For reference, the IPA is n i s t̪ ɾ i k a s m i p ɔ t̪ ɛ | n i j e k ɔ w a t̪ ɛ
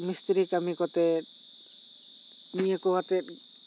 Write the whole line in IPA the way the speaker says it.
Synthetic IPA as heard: m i s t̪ ɾ i k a m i k ɔ t̪ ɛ | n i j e k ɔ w a t̪ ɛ